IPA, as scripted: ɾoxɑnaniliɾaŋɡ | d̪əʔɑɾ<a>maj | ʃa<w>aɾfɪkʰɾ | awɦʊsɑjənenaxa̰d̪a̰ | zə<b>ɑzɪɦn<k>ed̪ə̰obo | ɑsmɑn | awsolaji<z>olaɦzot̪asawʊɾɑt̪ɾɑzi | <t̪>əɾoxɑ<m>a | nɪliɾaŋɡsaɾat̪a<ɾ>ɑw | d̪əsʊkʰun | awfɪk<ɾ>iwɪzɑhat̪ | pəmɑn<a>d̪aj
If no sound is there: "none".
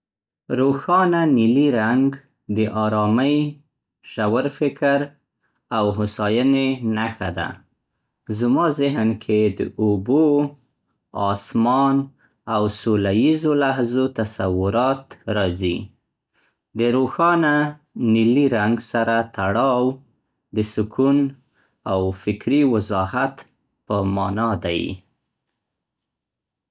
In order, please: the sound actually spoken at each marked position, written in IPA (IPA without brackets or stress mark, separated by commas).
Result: ɑ, w, m, kʰ, z, d̪, n, ɽ, ɾ, ɑ